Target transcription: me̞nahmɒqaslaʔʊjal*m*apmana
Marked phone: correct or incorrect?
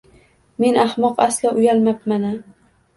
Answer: correct